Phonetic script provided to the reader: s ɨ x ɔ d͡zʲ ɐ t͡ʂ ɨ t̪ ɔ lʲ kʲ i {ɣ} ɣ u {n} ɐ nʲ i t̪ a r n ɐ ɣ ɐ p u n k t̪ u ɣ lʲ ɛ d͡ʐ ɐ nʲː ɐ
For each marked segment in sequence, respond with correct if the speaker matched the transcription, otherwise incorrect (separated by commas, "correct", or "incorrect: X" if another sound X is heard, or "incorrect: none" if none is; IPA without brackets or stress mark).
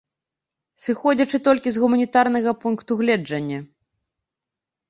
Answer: incorrect: z, incorrect: m